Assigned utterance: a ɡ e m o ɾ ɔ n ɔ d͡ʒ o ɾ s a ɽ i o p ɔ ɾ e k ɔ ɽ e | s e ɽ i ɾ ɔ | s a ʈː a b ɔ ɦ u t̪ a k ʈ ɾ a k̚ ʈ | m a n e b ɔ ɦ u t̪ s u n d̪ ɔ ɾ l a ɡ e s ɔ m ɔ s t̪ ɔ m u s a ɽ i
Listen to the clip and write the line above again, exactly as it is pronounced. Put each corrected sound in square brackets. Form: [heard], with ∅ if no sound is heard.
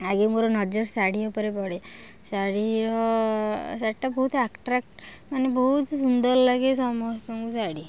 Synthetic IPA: a ɡ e m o ɾ ɔ n ɔ d͡ʒ [ɔ] ɾ s a ɽ i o p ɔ ɾ e [p] ɔ ɽ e | s [a] ɽ i ɾ ɔ | s a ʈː a b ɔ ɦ u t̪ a k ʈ ɾ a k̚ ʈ | m a n e b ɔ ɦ u t̪ s u n d̪ ɔ ɾ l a ɡ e s ɔ m ɔ s t̪ ɔ m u s a ɽ i